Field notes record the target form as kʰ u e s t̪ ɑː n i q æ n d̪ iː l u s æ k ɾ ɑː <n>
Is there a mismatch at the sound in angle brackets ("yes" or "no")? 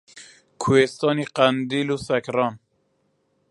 no